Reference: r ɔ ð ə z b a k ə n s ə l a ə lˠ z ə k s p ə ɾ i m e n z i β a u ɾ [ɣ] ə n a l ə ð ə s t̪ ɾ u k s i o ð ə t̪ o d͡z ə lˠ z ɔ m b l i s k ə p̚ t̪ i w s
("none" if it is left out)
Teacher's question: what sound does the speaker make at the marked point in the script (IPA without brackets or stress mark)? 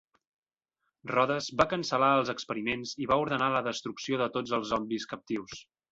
ð